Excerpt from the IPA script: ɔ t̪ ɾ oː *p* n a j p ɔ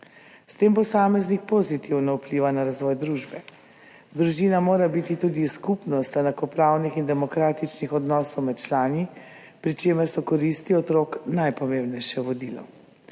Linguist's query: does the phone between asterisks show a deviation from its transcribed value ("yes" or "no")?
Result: yes